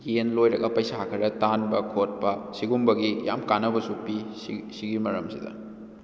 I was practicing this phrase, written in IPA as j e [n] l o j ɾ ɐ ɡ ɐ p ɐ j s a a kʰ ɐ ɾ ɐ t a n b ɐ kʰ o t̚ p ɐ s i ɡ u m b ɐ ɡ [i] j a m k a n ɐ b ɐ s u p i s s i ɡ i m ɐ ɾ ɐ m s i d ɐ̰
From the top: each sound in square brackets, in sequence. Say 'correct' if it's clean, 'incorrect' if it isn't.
correct, correct

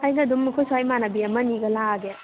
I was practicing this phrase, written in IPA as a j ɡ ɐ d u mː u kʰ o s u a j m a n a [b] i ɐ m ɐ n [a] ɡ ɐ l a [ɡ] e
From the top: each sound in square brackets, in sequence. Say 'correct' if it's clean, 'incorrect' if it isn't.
correct, incorrect, correct

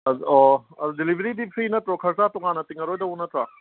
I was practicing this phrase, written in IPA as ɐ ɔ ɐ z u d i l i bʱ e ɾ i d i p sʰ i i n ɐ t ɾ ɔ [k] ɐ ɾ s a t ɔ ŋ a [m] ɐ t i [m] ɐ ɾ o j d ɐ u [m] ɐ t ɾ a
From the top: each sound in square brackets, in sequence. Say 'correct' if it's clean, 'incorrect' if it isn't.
incorrect, incorrect, incorrect, incorrect

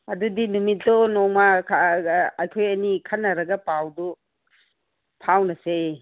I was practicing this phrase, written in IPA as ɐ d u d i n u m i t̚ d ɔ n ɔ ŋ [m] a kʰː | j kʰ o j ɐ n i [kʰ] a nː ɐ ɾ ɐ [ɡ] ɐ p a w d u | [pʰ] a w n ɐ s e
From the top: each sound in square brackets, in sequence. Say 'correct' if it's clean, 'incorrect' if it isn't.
correct, correct, correct, correct

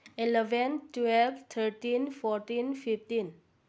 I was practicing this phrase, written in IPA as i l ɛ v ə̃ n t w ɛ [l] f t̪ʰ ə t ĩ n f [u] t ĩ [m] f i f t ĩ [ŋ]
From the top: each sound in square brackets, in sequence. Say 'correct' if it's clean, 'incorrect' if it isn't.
correct, incorrect, incorrect, incorrect

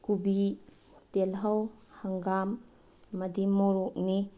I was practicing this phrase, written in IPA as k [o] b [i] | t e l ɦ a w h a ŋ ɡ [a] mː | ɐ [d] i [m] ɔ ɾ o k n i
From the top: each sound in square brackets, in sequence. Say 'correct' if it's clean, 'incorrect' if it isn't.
incorrect, correct, correct, correct, correct

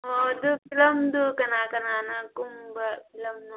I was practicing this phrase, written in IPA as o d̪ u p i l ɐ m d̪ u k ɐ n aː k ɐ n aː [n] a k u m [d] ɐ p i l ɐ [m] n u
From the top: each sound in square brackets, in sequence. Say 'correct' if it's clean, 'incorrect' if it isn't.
correct, incorrect, correct

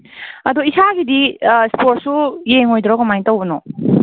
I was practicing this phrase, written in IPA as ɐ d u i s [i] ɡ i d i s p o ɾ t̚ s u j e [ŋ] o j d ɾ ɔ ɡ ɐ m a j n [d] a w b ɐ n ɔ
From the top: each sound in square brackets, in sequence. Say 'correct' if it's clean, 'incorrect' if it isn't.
incorrect, correct, incorrect

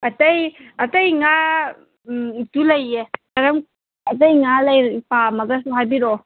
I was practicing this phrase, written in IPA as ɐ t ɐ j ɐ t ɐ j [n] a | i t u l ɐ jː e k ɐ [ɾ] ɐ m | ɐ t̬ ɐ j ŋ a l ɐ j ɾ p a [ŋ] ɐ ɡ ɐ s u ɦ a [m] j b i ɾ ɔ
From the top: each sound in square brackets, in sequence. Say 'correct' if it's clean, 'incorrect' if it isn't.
incorrect, correct, incorrect, incorrect

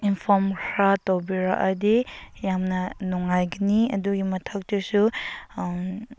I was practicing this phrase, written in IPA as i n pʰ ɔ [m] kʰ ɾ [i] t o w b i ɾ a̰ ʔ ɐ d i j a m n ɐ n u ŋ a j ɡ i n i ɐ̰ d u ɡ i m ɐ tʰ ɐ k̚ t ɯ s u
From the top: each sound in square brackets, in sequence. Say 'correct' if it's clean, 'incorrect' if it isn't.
correct, incorrect

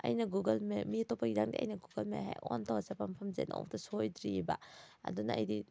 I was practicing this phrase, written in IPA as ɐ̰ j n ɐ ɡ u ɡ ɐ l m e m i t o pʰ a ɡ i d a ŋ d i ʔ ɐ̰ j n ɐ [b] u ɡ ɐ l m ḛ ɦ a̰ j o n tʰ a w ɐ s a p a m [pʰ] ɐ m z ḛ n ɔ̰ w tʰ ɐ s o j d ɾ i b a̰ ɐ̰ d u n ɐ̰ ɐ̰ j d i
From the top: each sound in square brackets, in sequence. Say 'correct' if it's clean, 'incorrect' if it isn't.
incorrect, correct

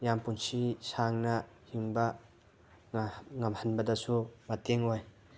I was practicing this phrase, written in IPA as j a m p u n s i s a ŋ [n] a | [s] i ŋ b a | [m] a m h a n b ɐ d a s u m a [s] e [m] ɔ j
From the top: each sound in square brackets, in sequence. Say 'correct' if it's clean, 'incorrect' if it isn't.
correct, incorrect, incorrect, incorrect, incorrect

